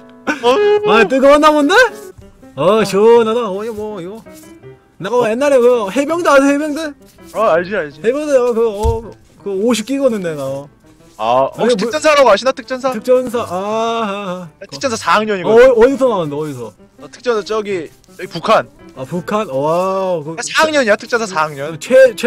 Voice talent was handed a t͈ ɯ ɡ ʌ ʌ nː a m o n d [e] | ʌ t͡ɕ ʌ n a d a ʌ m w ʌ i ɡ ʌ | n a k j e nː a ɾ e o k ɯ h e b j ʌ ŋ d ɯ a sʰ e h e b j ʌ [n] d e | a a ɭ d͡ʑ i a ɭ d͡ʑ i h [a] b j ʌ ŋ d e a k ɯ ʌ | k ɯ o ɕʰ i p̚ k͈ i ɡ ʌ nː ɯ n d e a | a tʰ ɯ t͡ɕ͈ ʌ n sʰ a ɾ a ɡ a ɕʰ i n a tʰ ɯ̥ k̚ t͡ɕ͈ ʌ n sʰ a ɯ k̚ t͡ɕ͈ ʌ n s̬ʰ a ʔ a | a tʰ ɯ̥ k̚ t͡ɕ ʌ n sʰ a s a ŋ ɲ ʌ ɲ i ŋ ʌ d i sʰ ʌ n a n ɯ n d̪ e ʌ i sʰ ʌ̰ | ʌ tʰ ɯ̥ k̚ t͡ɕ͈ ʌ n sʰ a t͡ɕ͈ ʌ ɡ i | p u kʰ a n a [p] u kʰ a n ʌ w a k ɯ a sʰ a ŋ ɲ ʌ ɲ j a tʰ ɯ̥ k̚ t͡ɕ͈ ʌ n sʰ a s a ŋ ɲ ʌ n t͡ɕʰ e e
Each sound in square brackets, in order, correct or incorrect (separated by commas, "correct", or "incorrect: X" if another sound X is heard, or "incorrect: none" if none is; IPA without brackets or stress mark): correct, incorrect: ŋ, incorrect: e, correct